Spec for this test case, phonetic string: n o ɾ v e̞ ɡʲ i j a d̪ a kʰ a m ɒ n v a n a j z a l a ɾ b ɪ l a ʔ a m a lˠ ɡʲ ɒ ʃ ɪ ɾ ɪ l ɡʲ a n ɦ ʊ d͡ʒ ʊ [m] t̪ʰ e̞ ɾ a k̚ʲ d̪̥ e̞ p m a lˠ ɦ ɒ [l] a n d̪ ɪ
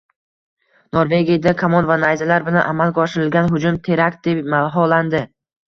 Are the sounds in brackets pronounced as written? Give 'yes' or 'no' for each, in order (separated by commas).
yes, yes